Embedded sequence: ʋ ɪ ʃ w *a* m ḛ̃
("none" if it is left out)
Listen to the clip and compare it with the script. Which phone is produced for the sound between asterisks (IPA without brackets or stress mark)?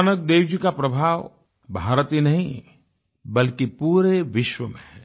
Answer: ə